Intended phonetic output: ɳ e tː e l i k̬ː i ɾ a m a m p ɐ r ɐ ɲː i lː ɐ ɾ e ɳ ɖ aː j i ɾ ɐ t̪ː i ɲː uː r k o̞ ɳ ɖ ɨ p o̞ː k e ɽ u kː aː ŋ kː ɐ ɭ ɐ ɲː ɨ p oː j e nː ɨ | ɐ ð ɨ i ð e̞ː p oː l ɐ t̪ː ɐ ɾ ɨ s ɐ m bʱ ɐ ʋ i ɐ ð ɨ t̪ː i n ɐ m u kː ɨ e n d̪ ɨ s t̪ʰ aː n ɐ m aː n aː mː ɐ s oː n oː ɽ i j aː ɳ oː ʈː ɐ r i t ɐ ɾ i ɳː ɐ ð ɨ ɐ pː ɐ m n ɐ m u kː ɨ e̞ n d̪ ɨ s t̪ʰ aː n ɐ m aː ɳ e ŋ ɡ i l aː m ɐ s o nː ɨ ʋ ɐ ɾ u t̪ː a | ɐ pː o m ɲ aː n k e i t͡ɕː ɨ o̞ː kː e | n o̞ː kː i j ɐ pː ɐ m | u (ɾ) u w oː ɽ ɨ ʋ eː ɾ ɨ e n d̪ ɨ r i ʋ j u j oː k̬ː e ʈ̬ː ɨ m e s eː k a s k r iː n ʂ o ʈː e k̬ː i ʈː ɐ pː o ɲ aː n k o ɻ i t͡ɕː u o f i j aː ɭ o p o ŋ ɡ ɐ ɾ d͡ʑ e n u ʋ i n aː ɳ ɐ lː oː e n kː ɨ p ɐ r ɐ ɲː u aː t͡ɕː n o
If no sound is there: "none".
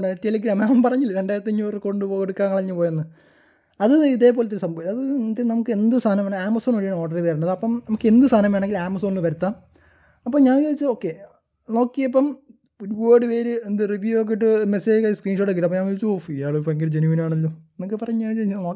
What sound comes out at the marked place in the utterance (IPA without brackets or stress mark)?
ɾ